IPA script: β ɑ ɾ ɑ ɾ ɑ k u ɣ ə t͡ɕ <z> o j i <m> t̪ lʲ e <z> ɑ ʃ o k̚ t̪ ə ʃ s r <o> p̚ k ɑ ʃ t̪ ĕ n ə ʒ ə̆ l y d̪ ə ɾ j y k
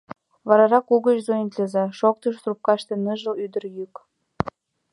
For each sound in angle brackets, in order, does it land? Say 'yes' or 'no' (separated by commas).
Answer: yes, no, yes, no